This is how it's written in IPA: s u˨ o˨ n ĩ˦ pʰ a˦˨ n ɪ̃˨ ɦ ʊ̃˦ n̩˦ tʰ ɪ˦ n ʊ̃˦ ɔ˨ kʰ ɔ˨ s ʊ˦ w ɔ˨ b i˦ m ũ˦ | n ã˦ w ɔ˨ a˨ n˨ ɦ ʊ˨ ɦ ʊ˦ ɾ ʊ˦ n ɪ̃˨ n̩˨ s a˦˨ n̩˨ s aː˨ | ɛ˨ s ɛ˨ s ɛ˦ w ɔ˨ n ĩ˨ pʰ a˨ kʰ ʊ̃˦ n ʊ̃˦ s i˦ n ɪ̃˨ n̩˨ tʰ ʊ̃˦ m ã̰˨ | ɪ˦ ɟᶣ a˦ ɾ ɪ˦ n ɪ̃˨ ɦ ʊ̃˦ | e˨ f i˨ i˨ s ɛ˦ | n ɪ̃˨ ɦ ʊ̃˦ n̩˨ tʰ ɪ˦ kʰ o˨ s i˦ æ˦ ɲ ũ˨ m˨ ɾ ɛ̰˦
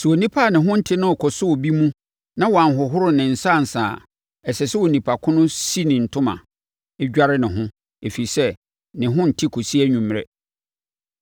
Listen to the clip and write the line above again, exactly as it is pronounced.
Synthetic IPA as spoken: s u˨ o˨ n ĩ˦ pʰ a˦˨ n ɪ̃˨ ɦ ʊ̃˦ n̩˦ tʰ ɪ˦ n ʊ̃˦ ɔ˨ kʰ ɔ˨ s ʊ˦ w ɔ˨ b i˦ m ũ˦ | n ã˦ w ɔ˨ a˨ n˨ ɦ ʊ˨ ɦ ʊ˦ ɾ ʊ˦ n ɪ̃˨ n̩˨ s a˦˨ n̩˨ s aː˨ | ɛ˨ s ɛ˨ s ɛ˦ w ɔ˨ n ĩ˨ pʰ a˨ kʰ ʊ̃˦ n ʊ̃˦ s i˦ n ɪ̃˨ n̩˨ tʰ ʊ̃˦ m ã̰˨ | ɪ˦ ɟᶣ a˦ ɾ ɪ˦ n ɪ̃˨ ɦ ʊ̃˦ | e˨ f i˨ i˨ s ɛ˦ | n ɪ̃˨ ɦ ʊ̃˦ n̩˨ tʰ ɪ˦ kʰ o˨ s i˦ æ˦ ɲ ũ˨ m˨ ɾ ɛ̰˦